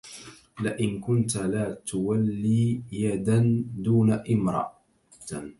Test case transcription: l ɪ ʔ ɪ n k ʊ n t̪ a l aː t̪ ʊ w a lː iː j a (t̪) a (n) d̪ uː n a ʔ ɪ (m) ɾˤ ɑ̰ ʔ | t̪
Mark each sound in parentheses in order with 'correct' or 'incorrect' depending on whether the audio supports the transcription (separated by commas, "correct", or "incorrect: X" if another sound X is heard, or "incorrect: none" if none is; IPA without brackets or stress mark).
incorrect: d̪, correct, correct